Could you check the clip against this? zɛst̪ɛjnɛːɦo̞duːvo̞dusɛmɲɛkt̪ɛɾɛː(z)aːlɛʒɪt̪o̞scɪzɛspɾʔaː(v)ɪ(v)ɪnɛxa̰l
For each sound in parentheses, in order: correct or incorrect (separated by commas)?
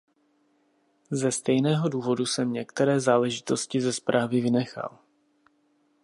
correct, correct, correct